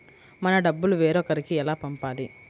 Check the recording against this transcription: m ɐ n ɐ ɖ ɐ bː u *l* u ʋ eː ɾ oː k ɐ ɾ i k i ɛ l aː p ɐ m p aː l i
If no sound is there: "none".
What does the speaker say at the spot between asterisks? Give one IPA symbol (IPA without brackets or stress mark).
l